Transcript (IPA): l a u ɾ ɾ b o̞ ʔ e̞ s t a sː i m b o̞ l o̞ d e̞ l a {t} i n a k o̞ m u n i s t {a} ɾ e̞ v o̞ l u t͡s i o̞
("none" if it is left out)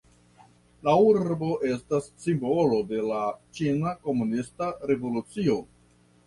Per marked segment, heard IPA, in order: t͡ʃ, a

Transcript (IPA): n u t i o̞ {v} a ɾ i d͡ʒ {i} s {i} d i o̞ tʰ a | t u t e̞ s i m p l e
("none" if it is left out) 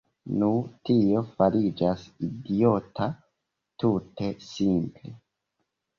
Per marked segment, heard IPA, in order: f, a, i

